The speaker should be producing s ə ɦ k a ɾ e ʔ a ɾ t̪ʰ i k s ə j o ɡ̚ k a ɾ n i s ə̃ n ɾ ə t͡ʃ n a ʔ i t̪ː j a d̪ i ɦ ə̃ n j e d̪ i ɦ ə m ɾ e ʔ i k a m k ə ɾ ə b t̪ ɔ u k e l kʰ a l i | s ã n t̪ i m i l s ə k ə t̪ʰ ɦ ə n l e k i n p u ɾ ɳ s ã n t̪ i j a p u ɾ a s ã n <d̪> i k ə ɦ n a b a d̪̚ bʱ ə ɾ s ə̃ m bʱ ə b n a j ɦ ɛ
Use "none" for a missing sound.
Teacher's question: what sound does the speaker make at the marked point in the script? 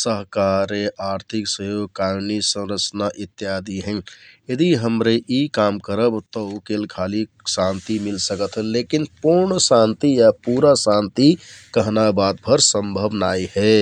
t̪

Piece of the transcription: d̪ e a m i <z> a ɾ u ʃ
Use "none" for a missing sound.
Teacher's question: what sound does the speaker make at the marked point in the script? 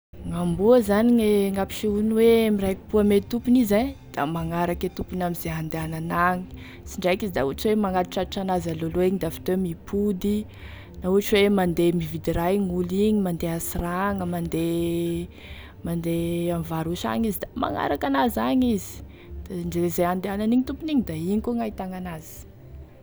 v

